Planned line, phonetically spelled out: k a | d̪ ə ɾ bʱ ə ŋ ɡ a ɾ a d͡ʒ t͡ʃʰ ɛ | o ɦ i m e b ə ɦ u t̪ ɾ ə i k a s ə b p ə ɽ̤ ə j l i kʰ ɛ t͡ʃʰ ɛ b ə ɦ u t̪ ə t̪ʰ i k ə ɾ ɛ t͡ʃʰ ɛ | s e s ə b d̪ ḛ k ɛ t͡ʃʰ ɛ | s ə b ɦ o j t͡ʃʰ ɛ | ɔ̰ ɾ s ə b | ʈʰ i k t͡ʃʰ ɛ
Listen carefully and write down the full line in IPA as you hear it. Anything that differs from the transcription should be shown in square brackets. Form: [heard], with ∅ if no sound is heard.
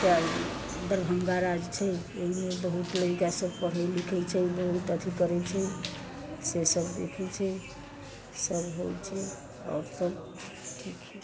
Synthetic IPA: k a | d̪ ə ɾ bʱ ə ŋ ɡ a ɾ a d͡ʒ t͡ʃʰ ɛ | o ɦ i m e b ə ɦ u t̪ [l] ə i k a s ə b p ə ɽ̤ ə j l i kʰ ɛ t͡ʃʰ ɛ b ə ɦ u t̪ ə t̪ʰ i k ə ɾ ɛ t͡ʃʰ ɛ | s e s ə b d̪ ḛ [kʰ] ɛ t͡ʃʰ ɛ | s ə b ɦ o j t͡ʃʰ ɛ | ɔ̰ ɾ s ə b | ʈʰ i k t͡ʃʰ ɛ

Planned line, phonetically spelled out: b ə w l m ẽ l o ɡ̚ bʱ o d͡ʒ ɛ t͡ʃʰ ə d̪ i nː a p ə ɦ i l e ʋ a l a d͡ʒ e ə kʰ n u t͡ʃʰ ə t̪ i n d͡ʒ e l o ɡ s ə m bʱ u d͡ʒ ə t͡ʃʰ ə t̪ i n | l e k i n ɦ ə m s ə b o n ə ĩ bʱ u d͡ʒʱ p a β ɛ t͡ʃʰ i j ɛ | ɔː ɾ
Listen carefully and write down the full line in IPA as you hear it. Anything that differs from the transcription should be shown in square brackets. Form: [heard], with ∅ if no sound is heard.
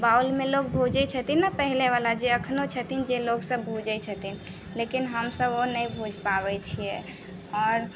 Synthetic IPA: b [a] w l m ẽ l o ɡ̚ bʱ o d͡ʒ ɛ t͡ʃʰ ə [t̪] i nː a p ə ɦ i l e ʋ a l a d͡ʒ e ə kʰ n [o] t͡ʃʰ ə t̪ i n d͡ʒ e l o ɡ s ə [b] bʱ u d͡ʒ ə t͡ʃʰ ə t̪ i n | l e k i n ɦ ə m s ə b o n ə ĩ bʱ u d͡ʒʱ p a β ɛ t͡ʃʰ i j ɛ | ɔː ɾ

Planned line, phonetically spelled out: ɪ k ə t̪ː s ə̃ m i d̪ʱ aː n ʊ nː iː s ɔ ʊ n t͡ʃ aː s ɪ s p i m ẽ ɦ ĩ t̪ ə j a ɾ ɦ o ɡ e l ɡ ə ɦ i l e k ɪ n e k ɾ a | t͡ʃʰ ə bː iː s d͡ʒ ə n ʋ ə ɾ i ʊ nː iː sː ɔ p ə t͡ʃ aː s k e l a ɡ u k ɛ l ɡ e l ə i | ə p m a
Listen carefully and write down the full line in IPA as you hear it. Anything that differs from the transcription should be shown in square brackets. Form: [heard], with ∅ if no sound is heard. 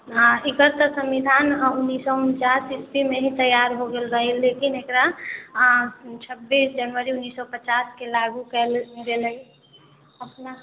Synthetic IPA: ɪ k ə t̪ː s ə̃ m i d̪ʱ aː n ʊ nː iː s ɔ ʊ n t͡ʃ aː s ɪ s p i m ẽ ɦ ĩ t̪ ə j a ɾ ɦ o ɡ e l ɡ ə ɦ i l e k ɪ n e k ɾ a | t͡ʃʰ ə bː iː s d͡ʒ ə n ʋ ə ɾ i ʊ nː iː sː ɔ p ə t͡ʃ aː s k e l a ɡ u k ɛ l ɡ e l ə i | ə p [n] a

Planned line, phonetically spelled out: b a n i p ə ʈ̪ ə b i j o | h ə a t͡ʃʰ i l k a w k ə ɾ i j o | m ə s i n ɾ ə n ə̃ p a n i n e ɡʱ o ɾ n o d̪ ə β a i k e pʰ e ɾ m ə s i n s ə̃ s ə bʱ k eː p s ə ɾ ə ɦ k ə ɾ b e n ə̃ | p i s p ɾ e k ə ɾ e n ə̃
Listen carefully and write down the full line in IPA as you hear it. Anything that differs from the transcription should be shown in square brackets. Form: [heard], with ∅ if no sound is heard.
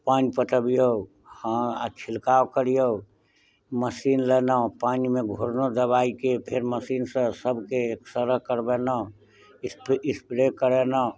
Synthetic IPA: [p] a n i p ə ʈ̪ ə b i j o | h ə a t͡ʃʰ i l k a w k ə ɾ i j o | m ə s i n [l] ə n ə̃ p a n i [m] e ɡʱ o ɾ n o d̪ ə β a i k e pʰ e ɾ m ə s i n s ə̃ s ə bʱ k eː [k] s ə ɾ ə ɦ k ə ɾ b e n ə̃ | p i s p ɾ e k ə ɾ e n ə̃

